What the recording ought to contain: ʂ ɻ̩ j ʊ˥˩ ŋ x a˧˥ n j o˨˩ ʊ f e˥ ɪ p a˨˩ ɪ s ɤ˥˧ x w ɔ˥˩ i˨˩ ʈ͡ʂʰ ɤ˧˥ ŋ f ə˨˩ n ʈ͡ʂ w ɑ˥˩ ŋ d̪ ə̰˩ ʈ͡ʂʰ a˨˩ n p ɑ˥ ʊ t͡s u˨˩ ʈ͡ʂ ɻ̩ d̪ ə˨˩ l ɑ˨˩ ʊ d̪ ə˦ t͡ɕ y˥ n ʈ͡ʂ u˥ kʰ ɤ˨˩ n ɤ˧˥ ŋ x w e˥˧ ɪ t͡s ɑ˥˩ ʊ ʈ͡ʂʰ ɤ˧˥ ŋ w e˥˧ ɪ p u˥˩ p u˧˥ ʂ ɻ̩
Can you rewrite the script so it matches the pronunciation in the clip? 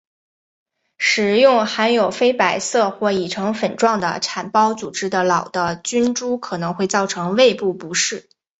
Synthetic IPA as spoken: ʂ ɻ̩ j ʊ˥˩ ŋ x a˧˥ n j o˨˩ ʊ f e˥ ɪ p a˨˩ ɪ s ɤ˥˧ x w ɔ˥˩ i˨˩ ʈ͡ʂʰ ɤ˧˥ ŋ f ə˨˩ n ʈ͡ʂ w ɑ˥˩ ŋ d̪ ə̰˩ ʈ͡ʂʰ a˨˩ n p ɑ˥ ʊ t͡s u˨˩ ʈ͡ʂ ɻ̩ d̪ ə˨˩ l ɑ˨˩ ʊ d̪ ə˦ t͡ɕ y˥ n ʈ͡ʂ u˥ kʰ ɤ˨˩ n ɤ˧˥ ŋ x w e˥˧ ɪ t͡s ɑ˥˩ ʊ ʈ͡ʂʰ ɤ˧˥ ŋ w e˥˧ ɪ p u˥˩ p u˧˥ ʂ ɻ̩